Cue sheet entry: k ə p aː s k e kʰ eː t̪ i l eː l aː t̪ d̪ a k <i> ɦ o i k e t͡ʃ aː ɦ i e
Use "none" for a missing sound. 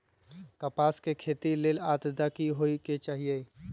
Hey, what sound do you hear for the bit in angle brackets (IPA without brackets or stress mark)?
i